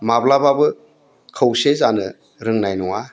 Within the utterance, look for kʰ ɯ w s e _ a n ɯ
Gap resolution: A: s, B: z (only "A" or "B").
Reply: B